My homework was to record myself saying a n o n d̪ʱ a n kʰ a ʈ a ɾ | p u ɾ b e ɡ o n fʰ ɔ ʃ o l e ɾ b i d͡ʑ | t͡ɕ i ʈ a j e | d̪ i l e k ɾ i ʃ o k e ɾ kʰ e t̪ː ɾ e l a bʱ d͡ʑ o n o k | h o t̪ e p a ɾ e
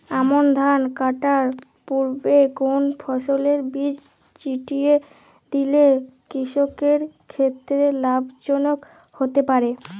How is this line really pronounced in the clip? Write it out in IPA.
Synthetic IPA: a m o n d̪ʱ a n k a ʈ a ɾ | p u ɾ b e ɡ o n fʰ ɔ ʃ o l e ɾ b i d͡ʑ | t͡ɕ i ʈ i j e | d̪ i l e k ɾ i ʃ o k e ɾ kʰ e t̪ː ɾ e l a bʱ d͡ʑ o n o k | h o t̪ e p a ɾ e

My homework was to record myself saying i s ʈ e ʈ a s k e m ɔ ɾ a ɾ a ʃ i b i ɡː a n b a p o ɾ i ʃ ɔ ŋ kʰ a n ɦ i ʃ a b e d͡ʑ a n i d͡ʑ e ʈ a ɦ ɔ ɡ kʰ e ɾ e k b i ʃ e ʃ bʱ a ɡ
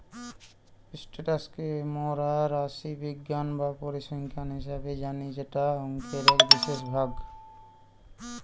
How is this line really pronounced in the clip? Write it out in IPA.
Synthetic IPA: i s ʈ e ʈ a s k e m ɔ ɾ a ɾ a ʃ i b i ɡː a n b a p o ɾ i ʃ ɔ ŋ kʰ a n ɦ i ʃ a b e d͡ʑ a n i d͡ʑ e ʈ a ɦ ɔ ŋ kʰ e ɾ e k b i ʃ e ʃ bʱ a ɡ

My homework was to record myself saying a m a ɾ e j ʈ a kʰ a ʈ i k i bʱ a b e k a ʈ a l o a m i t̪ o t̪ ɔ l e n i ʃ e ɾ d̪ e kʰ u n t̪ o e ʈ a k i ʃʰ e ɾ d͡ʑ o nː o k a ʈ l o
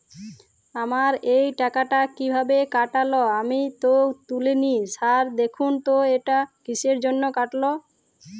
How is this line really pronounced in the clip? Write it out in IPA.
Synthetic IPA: a m a ɾ e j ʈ a k a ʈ a k i bʱ a b e k a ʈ a l o a m i t̪ o t̪ u l e n i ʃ a ɾ d̪ e kʰ u n t̪ o e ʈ a k i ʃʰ e ɾ d͡ʑ o nː o k a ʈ l o

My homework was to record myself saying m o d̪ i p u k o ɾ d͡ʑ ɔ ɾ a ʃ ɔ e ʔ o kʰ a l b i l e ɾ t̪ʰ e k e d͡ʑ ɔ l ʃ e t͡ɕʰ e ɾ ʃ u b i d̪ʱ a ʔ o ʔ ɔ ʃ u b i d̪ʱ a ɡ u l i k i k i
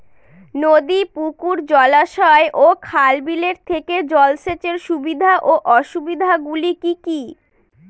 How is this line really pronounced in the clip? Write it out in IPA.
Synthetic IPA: n o d̪ i p u k u ɾ d͡ʑ ɔ l a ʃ ɔ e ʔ o kʰ a l b i l e ɾ t̪ʰ e k e d͡ʑ ɔ l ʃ e t͡ɕ e ɾ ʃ u b i d̪ʱ a ʔ o ʔ ɔ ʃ u b i d̪ʱ a ɡ u l i k i k i

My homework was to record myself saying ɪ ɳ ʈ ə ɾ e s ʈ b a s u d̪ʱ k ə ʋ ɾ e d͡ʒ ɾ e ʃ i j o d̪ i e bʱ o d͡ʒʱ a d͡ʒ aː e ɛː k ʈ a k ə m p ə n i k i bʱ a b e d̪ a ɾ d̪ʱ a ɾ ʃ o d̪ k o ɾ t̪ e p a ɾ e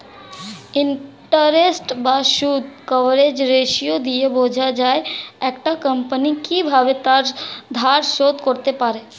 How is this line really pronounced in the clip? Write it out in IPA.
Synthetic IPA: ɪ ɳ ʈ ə ɾ e s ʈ b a ʃ u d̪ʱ k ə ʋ ɾ e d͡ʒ ɾ e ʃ i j o d̪ i e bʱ o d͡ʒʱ a d͡ʒ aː e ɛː k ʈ a k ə m p ə n i k i bʱ a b e t̪ a ɾ d̪ʱ a ɾ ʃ o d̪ k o ɾ t̪ e p a ɾ e

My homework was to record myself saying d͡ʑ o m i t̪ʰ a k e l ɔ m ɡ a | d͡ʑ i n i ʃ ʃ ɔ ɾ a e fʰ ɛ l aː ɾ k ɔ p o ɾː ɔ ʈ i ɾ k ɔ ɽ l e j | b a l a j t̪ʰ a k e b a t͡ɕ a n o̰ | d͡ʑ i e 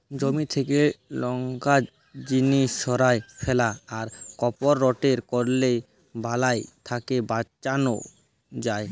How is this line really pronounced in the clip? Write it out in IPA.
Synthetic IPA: d͡ʑ o m i t̪ʰ e k e l ɔ ŋ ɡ a | d͡ʑ i n i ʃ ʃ ɔ ɾ a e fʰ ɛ l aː ɾ k ɔ p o ɾː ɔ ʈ e ɾ k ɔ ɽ l e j | b a l a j t̪ʰ a k e b a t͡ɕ a n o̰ | d͡ʑ a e

